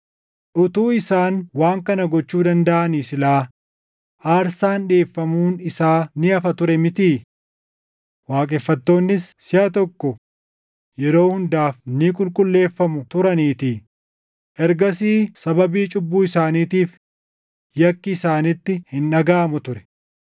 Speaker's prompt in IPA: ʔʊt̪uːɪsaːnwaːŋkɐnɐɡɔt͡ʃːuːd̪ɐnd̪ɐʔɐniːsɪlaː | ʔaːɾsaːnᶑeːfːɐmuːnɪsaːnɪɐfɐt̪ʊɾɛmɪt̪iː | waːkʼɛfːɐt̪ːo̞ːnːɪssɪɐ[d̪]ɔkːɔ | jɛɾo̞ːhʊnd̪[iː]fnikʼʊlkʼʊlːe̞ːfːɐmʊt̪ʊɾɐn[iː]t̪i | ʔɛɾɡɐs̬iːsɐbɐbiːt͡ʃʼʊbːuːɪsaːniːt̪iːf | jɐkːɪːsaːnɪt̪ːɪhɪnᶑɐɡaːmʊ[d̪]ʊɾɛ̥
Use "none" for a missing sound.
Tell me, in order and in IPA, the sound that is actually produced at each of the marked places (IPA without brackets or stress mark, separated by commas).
t̪, aː, iː, t̪